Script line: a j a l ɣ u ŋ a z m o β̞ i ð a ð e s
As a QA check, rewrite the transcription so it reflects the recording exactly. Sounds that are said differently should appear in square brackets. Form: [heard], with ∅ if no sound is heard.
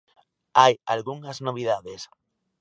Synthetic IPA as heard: a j a l ɣ u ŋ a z [n] o β̞ i ð a ð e s

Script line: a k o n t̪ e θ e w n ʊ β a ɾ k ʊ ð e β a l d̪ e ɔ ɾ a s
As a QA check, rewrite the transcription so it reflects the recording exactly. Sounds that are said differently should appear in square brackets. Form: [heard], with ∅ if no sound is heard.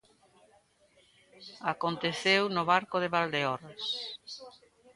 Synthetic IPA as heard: a k o n t̪ e θ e w n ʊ β a ɾ k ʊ ð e β a l d̪ e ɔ ɾ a s

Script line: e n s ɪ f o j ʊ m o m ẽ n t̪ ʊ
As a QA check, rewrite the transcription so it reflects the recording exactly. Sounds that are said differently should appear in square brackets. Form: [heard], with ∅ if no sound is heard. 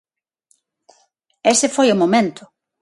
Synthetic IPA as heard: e [∅] s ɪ f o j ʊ m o m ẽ n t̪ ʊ

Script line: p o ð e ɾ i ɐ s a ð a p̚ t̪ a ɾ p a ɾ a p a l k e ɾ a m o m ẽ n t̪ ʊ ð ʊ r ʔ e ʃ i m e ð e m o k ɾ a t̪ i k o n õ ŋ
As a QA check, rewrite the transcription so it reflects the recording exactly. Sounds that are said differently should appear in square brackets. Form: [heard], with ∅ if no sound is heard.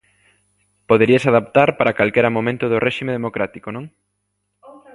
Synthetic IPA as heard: p o ð e ɾ i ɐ s a ð a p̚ t̪ a ɾ p a ɾ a [k] a l k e ɾ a m o m ẽ n t̪ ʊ ð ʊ r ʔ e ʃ i m e ð e m o k ɾ a t̪ i k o n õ ŋ

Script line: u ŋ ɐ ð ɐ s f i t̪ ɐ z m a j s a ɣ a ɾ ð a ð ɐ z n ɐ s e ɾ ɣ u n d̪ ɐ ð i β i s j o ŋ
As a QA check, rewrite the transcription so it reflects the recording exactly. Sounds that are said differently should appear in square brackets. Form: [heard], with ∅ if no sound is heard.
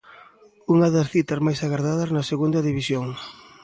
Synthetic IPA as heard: u ŋ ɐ ð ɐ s [θ] i t̪ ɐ z m a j s a ɣ a ɾ ð a ð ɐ z n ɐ s e [∅] ɣ u n d̪ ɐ ð i β i s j o ŋ

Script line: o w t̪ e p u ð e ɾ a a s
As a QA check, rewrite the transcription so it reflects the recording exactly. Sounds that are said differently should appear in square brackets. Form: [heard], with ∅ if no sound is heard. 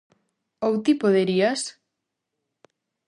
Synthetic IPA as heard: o w t̪ [i] p [o] ð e ɾ [i] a s

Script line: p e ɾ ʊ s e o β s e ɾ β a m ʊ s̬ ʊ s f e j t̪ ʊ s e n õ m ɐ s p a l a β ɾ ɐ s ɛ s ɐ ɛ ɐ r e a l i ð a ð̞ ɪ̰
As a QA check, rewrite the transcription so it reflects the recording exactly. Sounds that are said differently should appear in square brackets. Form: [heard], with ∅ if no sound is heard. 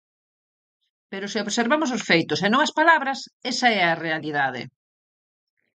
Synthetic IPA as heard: p e ɾ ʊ s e o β s e ɾ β a m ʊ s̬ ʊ s f e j t̪ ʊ s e n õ [ŋ] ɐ s p a l a β ɾ ɐ s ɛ s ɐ ɛ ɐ r e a l i ð a ð̞ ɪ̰

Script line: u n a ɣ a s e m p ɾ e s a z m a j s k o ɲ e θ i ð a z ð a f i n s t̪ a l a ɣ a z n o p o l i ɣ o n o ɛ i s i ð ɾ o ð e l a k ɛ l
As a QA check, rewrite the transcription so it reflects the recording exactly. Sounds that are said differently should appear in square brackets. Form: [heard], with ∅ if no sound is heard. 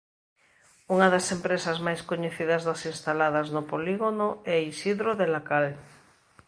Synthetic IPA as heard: u [ŋ] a [ð] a s e m p ɾ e s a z m a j s k o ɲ e θ i ð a z ð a [s] i n s t̪ a l a [ð] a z n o p o l i ɣ o n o ɛ i s i ð ɾ o ð e l a k [a] l

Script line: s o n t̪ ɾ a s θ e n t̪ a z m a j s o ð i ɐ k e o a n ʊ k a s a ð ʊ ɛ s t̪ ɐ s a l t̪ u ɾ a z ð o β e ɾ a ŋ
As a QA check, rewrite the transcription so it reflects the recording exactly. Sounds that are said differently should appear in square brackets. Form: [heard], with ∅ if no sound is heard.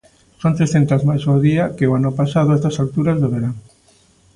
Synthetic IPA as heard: s o n t̪ ɾ [e] s θ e n t̪ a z m a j s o ð i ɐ k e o a n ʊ [p] a s a ð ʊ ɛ s t̪ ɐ s a l t̪ u ɾ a z ð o β e ɾ a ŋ

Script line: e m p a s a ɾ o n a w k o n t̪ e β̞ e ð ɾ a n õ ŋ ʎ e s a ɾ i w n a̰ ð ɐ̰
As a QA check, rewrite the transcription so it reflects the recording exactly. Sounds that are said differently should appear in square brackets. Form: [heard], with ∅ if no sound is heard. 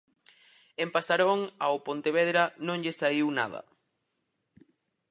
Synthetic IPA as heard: e m p a s a ɾ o [ŋ] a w [p] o n t̪ e β̞ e ð ɾ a n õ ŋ ʎ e s a [∅] i w n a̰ ð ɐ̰

